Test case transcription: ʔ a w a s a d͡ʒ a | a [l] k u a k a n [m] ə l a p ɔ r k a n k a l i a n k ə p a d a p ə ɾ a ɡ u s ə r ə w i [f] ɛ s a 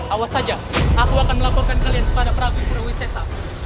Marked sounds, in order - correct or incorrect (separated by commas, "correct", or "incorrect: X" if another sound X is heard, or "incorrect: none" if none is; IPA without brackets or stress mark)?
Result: incorrect: none, correct, incorrect: s